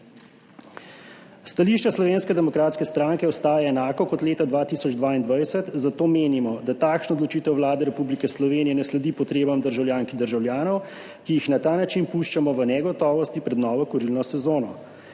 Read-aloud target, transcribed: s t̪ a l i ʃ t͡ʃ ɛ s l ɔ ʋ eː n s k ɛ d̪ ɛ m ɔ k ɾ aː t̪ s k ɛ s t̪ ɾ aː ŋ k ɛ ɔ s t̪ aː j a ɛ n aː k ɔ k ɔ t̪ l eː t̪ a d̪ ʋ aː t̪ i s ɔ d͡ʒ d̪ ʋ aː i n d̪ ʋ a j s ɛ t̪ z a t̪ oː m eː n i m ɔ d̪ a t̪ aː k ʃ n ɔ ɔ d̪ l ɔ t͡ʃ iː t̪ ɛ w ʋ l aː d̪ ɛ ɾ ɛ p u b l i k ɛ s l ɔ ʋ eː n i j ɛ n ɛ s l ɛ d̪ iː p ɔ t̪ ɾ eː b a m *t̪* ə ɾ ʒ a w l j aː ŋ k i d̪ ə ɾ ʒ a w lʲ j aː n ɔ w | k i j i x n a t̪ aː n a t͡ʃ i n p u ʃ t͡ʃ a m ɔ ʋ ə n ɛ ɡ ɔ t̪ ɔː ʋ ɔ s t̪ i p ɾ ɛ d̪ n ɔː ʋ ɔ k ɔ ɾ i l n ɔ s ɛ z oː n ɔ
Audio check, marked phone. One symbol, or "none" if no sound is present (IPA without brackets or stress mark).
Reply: d̪